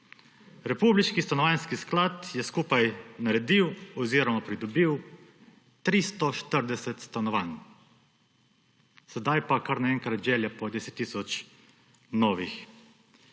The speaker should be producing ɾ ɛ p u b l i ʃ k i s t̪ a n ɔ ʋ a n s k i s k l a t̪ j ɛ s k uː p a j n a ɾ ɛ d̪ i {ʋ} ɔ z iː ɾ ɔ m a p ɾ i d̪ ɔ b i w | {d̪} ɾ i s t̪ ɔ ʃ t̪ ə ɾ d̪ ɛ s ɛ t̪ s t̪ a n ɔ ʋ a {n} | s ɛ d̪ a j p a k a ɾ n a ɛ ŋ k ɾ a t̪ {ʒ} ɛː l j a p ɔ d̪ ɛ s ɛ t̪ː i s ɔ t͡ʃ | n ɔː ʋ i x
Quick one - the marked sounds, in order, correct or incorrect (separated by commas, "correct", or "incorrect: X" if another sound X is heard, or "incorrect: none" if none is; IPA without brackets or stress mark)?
incorrect: w, incorrect: t̪, correct, correct